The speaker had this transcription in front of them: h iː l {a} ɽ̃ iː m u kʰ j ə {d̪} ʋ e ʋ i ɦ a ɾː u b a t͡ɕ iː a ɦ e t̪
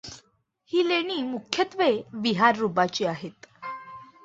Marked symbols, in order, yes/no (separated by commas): no, no